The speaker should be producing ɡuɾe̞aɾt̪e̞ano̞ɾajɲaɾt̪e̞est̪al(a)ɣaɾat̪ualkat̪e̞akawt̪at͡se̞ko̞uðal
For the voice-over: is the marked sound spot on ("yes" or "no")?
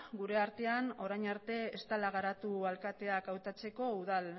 yes